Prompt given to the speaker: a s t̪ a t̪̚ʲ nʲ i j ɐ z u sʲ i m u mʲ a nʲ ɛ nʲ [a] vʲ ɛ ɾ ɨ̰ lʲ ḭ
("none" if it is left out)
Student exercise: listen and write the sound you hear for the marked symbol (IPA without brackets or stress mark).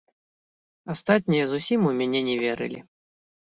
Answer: ɛ